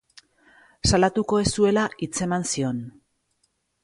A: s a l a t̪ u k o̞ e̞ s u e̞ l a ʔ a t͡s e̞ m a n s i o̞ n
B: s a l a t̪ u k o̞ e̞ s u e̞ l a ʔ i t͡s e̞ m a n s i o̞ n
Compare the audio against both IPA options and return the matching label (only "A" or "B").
B